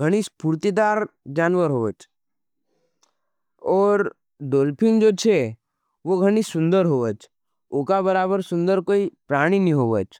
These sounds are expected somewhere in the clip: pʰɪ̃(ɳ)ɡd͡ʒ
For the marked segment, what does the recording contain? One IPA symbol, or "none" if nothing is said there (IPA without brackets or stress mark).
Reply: ŋ